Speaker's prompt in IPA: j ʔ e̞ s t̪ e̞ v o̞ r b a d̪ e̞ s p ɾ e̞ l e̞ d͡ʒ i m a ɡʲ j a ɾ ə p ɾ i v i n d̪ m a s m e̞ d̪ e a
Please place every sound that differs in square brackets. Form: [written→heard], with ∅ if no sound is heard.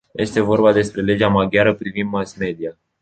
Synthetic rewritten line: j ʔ e̞ s t̪ e̞ v o̞ r b a d̪ e̞ s p ɾ e̞ l e̞ d͡ʒ [i→a] m a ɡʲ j a ɾ ə p ɾ i v i n d̪ m a s m e̞ d̪ [e→i] a